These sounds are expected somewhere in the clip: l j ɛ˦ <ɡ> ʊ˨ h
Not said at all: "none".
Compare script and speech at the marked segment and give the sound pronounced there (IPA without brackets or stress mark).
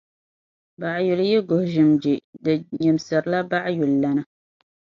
ɡ